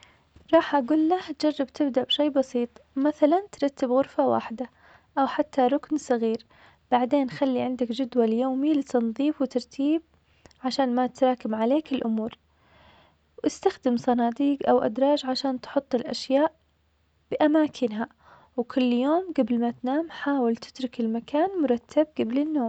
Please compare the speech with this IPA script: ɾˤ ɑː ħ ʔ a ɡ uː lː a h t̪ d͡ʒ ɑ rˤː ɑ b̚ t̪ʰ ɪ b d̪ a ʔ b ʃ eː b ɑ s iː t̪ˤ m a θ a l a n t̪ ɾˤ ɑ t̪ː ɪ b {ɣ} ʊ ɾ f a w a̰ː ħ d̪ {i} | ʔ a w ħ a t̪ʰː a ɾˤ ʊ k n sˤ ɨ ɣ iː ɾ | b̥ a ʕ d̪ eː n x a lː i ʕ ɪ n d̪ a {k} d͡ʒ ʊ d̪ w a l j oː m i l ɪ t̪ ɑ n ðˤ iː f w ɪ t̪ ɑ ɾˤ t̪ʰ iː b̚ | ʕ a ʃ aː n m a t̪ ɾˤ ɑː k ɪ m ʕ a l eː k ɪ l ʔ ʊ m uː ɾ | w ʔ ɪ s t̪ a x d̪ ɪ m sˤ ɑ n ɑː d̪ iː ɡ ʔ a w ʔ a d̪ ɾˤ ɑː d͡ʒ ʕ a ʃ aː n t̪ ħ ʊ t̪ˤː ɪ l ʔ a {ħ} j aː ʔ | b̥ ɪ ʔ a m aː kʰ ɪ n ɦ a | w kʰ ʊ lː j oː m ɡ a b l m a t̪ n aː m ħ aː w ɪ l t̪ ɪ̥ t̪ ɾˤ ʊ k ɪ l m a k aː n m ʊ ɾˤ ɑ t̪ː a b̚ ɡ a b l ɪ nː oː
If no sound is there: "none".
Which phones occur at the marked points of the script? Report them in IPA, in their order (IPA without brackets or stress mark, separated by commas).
ɣ, a, k, ʃ